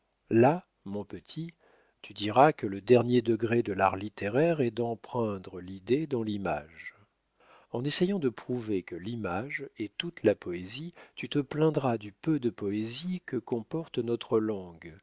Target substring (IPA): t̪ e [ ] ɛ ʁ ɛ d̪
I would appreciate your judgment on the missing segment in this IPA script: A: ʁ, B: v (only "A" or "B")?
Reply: A